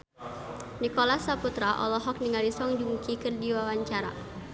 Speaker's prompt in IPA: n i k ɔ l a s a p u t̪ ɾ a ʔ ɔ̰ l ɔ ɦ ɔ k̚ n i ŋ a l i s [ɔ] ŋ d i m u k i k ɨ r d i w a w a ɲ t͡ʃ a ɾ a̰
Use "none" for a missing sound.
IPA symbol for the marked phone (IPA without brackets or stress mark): ɔ